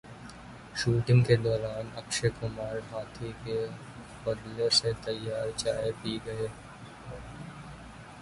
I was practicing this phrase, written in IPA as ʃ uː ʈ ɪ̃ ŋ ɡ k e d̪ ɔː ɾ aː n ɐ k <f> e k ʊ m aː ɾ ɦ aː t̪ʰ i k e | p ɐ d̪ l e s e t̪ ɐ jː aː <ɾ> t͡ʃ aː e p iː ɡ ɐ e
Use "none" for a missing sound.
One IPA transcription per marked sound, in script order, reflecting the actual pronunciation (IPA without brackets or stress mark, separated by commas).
ʃ, ɾ